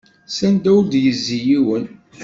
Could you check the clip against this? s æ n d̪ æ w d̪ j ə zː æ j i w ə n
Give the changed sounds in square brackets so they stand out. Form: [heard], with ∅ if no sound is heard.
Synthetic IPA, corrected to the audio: s æ n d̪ æ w d̪ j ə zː [i] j i w ə n